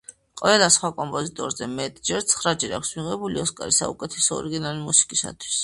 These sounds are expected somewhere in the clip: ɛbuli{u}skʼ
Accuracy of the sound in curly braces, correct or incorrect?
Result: incorrect